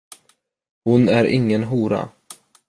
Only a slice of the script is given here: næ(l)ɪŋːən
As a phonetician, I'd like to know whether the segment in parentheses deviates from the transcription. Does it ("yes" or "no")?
yes